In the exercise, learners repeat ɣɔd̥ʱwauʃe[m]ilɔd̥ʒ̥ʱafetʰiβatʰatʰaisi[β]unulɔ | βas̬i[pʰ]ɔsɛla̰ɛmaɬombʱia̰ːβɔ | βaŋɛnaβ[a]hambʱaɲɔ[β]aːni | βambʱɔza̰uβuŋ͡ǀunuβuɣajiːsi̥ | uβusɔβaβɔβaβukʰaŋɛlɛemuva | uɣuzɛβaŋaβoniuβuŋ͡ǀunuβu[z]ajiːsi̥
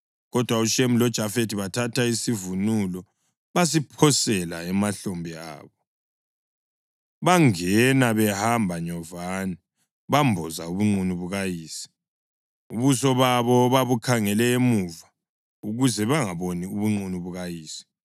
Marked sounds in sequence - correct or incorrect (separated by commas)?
correct, incorrect, correct, incorrect, incorrect, incorrect